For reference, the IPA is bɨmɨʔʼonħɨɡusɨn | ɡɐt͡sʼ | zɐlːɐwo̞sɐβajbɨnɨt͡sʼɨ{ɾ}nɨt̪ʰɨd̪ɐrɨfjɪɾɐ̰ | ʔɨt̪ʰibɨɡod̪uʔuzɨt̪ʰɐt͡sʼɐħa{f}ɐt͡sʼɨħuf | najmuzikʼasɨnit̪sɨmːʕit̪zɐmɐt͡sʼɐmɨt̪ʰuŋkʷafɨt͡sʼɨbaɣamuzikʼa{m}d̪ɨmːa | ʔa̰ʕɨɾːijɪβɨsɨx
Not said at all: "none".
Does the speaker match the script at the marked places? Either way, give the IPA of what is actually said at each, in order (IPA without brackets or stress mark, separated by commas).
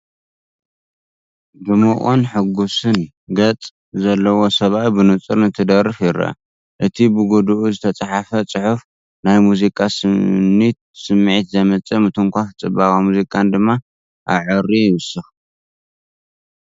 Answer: ɾ, f, n